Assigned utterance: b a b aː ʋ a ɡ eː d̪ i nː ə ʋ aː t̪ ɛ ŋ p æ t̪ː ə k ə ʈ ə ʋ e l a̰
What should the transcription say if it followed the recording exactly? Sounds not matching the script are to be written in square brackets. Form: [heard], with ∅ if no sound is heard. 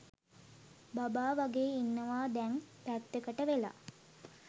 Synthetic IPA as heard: b a b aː ʋ a ɡ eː [∅] i nː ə ʋ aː [d̪] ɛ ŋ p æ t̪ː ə k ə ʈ ə ʋ e l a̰